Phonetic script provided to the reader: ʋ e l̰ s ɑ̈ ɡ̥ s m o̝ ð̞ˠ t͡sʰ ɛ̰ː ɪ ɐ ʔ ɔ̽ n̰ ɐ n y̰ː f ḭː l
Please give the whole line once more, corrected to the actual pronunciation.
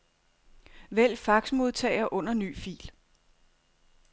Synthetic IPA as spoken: ʋ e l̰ f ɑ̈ ɡ̥ s m o̝ ð̞ˠ t͡sʰ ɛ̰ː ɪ ɐ ʔ ɔ̽ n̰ ɐ n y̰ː f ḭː l